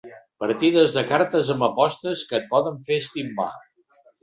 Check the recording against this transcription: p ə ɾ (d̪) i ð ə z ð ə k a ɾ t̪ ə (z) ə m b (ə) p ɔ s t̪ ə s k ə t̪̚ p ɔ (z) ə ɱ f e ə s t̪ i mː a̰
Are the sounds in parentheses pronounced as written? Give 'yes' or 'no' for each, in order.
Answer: no, yes, yes, no

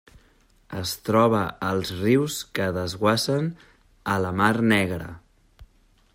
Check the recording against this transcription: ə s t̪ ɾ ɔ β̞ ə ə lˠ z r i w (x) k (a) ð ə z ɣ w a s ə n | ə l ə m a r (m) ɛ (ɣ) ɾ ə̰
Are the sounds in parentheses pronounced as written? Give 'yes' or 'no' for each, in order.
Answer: no, no, no, yes

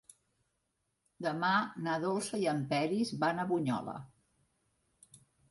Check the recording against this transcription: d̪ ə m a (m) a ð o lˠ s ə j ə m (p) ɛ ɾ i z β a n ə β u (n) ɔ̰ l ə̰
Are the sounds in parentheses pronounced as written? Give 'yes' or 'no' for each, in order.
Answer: no, yes, no

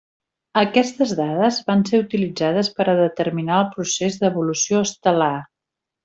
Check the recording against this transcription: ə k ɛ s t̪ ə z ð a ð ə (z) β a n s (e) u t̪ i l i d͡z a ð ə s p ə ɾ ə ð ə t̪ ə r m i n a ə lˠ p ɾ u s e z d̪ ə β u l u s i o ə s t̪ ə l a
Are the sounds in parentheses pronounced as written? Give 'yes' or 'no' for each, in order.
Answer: yes, yes

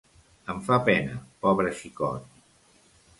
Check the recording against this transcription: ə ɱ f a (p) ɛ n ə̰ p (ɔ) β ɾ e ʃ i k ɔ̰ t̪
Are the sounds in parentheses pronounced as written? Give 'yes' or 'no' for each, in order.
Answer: yes, yes

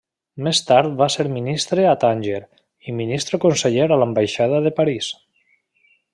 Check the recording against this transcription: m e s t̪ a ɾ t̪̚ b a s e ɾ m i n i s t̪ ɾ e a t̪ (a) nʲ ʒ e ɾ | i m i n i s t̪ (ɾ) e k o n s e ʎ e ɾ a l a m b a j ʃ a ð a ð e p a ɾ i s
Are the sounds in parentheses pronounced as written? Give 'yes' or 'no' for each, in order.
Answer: yes, yes

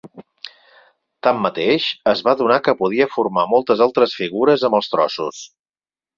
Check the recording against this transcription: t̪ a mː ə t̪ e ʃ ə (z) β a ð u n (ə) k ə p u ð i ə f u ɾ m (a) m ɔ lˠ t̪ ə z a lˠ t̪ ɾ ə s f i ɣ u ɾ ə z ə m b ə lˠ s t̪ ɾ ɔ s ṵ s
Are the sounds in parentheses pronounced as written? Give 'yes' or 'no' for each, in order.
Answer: yes, no, yes

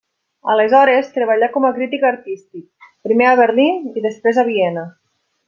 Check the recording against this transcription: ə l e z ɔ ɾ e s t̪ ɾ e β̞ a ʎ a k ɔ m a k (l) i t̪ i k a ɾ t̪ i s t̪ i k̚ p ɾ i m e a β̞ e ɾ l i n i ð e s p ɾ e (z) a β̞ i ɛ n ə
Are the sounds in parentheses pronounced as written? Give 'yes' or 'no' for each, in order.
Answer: no, yes

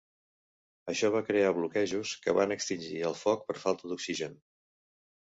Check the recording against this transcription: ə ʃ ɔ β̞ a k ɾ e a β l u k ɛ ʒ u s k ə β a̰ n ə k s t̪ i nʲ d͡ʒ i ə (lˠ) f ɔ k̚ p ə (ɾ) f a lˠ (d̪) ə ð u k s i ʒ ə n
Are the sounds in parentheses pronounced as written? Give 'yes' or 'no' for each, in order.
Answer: yes, yes, no

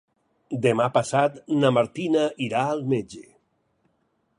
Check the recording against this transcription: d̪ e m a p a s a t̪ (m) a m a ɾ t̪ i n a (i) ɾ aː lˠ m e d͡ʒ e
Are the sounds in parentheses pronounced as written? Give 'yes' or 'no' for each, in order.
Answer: no, yes

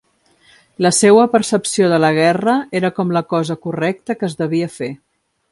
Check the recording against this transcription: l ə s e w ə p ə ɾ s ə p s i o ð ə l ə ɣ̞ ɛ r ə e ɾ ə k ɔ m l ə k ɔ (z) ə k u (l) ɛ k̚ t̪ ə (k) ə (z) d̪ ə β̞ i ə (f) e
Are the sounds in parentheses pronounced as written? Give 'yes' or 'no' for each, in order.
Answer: yes, no, yes, yes, yes

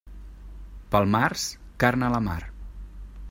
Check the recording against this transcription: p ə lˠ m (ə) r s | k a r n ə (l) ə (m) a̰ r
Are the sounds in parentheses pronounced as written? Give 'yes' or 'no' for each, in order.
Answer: no, yes, yes

